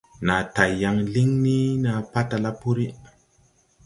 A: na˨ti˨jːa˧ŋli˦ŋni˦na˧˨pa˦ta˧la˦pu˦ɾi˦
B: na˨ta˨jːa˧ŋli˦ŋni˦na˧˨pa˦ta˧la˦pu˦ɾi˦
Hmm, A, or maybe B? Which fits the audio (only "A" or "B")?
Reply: B